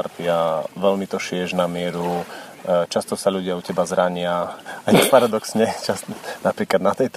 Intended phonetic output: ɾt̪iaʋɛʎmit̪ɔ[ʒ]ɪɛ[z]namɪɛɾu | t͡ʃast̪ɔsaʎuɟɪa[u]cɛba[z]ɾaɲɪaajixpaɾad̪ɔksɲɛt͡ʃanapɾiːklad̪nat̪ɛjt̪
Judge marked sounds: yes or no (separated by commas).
no, no, yes, yes